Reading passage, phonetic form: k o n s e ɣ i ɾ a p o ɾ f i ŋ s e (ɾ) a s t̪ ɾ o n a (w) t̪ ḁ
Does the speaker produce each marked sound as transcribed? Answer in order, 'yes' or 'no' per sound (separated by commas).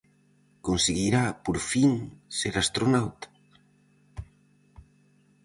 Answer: yes, yes